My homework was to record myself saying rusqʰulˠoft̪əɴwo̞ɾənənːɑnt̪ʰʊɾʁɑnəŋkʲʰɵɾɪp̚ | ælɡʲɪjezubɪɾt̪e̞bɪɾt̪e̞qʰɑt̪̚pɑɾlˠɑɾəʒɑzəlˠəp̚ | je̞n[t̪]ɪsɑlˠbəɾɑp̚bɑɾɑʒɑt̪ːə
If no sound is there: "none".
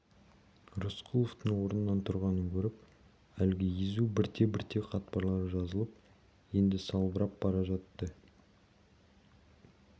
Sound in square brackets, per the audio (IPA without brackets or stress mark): d̪